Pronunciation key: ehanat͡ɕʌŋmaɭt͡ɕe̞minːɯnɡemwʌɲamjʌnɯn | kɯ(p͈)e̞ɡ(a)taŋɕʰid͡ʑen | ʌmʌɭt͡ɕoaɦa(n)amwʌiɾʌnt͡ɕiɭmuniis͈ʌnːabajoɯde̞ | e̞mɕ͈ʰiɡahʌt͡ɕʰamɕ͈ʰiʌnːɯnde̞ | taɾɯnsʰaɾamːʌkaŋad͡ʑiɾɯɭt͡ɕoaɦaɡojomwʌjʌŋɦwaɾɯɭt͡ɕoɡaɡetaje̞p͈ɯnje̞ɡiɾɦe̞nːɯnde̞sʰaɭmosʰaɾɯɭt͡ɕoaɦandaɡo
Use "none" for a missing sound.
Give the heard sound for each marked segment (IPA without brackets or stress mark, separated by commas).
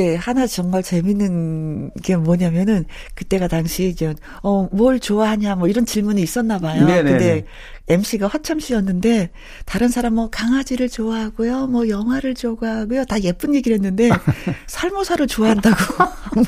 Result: t͈, a, ɲ